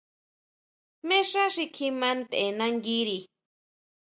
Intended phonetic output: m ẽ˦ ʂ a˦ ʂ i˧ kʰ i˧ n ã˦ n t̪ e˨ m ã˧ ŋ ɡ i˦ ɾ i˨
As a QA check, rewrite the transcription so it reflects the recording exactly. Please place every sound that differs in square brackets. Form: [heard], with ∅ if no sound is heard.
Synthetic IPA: m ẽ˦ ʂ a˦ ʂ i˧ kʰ i˧ [m] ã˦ n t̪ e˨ [n] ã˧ ŋ ɡ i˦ ɾ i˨